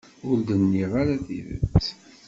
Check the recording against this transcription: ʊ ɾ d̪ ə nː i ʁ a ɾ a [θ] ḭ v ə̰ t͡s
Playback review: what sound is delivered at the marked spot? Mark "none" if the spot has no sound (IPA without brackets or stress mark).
θ